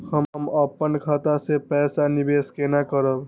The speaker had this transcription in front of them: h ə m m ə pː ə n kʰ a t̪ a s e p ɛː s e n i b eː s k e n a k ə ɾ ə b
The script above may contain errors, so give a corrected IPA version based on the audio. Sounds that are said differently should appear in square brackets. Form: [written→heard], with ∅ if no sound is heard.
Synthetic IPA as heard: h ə m m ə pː ə n kʰ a t̪ a s e p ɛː s [e→a] n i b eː s k e n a k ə ɾ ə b